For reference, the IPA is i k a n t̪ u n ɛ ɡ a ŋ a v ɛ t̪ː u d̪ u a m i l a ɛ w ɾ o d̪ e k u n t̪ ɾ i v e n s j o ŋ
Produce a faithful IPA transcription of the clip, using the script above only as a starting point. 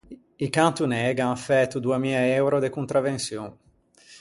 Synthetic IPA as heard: i k a n t̪ u n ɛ ɡ a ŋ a f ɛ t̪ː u d̪ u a m i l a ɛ w ɾ o d̪ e k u n t̪ ɾ a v e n s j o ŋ